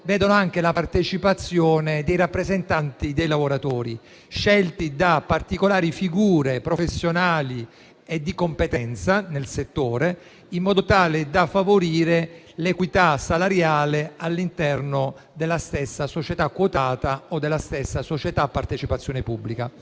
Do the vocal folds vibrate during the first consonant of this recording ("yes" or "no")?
yes